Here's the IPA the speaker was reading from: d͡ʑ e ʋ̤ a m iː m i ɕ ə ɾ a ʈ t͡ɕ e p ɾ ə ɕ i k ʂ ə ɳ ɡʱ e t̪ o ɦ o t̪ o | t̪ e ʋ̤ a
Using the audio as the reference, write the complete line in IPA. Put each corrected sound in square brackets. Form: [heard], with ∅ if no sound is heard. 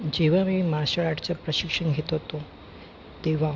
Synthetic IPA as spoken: d͡ʑ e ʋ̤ a m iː m [a] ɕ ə [ɭ] a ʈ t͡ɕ [a] p ɾ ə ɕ i k ʂ ə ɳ ɡʱ e t̪ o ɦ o t̪ o | t̪ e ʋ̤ a